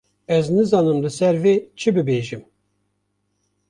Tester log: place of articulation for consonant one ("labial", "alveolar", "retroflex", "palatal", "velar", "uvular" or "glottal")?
alveolar